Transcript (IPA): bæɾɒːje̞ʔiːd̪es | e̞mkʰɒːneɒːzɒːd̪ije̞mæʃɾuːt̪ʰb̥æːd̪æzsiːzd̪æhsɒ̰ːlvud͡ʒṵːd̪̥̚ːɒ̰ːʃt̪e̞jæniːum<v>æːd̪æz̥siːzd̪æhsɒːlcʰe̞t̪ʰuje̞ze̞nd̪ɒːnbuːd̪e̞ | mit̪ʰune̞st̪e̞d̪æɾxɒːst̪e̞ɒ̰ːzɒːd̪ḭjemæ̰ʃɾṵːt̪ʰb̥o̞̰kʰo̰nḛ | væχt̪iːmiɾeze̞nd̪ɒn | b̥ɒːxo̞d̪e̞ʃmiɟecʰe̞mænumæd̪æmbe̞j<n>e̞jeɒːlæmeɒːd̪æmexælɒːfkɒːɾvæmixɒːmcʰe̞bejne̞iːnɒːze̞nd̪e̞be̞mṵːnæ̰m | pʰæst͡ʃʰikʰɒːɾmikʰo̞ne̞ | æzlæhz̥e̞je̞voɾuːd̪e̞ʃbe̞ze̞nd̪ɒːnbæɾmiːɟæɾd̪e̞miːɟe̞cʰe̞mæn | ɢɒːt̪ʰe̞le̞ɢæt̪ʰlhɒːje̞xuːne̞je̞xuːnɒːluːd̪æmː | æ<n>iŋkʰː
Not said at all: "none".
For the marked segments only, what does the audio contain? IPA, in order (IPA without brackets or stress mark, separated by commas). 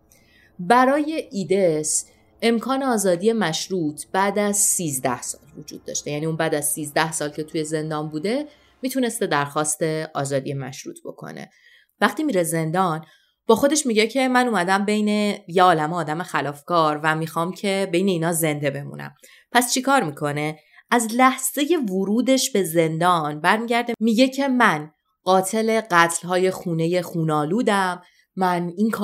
b, n, n